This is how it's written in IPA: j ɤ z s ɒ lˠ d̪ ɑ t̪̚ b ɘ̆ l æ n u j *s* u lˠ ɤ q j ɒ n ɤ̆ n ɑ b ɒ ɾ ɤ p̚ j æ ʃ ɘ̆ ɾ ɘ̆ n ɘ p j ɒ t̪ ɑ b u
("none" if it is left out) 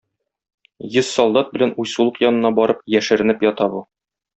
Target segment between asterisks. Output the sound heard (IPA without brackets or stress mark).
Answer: s